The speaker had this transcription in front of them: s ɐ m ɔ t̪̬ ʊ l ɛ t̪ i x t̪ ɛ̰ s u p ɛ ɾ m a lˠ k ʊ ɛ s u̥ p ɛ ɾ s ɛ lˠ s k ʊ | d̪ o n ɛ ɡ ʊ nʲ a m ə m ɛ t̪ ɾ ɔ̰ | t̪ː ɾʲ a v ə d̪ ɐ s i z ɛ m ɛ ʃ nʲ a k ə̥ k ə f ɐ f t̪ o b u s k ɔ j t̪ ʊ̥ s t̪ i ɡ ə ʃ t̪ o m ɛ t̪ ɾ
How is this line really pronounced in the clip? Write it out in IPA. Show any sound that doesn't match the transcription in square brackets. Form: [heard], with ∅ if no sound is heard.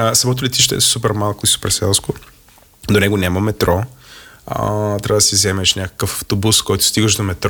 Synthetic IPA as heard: s ɐ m ɔ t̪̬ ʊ l ɛ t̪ i [ʃ] t̪ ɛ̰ s u p ɛ ɾ m a lˠ k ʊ [i] s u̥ p ɛ ɾ s ɛ lˠ s k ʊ | d̪ o n ɛ ɡ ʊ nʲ a m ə m ɛ t̪ ɾ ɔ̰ | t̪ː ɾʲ a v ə d̪ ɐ s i z ɛ m ɛ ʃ nʲ a k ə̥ k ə f ɐ f t̪ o b u s k ɔ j t̪ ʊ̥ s t̪ i ɡ ə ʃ [d̪] o m ɛ t̪ ɾ